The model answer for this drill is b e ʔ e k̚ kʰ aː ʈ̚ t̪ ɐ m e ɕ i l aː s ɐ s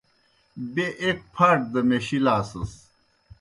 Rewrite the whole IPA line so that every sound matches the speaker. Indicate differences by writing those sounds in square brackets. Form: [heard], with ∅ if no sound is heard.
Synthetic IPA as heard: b e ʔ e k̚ [pʰ] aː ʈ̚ [d̪] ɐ m e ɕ i l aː s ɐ s